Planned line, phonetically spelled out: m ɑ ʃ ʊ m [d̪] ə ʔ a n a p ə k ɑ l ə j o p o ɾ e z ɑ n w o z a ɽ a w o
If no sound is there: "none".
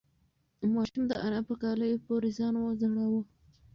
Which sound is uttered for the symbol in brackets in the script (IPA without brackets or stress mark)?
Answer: d̪